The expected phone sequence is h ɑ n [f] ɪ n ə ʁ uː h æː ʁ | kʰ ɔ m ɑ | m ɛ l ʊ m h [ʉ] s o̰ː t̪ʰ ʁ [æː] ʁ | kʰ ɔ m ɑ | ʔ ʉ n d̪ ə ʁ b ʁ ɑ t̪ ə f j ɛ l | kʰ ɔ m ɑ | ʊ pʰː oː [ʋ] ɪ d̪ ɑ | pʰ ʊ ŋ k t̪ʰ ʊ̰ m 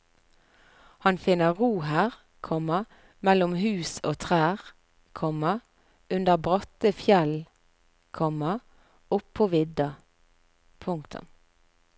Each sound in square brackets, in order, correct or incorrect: correct, incorrect, correct, correct

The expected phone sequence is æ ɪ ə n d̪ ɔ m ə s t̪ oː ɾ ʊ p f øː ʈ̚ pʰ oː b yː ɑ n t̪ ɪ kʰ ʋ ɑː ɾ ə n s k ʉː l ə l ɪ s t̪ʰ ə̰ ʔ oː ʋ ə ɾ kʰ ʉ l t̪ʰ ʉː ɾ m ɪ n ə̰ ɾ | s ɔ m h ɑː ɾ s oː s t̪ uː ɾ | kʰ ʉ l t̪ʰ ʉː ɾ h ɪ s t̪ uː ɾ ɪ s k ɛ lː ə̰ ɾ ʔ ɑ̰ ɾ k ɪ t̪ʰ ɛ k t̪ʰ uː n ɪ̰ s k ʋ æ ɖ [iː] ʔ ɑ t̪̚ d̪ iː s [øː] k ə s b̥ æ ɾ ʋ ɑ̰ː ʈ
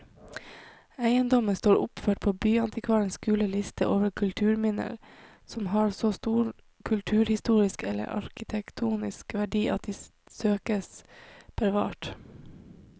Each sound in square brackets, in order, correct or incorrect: correct, correct

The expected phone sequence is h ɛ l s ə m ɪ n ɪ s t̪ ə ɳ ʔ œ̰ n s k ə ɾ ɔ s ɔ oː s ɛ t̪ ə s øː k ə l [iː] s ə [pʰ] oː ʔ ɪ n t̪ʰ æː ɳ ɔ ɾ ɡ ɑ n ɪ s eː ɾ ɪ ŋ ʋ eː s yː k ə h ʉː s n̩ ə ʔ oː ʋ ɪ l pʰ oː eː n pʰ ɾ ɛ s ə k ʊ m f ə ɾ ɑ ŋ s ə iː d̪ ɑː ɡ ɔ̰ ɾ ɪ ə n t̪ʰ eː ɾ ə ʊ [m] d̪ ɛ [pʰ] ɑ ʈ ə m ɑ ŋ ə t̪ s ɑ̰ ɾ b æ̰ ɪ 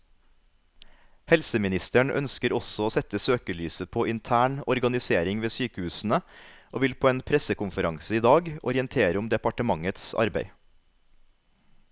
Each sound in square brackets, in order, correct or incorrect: incorrect, correct, correct, incorrect

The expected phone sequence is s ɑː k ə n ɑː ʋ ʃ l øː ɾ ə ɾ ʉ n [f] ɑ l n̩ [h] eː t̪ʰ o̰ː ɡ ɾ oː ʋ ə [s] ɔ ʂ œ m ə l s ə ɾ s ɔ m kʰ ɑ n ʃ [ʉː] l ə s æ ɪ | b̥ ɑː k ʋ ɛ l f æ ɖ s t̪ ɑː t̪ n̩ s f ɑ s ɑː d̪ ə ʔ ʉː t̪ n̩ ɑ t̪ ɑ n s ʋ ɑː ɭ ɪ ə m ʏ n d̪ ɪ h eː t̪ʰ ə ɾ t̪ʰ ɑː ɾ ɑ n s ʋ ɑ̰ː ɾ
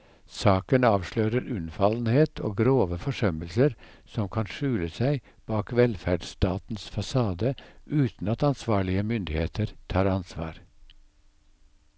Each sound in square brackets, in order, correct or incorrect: correct, correct, incorrect, correct

